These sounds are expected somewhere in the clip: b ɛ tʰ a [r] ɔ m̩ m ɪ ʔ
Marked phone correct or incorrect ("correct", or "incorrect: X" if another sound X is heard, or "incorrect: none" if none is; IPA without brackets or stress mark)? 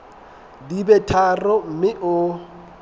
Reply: correct